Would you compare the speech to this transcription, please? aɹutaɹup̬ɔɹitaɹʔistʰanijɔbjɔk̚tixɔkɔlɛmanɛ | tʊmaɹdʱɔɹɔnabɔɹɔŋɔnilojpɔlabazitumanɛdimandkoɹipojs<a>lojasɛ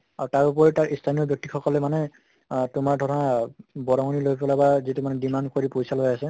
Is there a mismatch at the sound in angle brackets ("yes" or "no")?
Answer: no